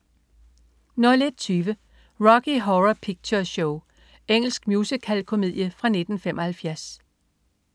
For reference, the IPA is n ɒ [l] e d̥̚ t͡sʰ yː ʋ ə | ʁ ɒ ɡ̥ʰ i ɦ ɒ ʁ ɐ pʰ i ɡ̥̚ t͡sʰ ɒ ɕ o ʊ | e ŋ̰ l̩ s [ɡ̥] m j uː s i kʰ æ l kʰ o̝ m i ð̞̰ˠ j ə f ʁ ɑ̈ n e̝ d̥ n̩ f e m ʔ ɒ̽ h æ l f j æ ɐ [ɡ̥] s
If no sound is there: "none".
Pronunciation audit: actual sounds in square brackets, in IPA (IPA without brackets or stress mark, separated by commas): l, ɡ̥, none